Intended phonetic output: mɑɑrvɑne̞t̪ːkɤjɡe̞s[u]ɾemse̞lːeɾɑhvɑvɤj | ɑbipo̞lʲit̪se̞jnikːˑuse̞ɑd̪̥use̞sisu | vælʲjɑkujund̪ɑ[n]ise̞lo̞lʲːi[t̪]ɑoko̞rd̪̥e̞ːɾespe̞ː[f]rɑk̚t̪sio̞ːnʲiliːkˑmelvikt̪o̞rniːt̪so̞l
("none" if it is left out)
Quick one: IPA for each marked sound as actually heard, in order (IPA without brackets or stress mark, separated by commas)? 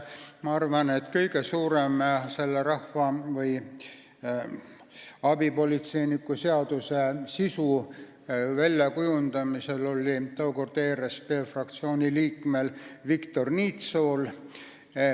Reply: uː, m, t̪, f